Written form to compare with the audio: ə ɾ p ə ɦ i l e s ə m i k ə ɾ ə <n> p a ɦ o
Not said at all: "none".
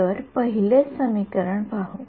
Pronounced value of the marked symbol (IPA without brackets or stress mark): ɳ